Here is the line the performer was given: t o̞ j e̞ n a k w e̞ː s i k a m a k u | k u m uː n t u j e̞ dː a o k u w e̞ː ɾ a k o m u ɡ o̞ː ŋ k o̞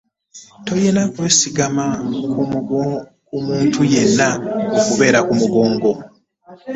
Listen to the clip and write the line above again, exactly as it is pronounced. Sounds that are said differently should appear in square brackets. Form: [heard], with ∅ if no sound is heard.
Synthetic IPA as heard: t o̞ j e̞ n a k w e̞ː s i [ɡ] a m a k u | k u m uː n t u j e̞ [nː] a o k u [β] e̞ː ɾ a k [u] m u ɡ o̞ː ŋ [ɡ] o̞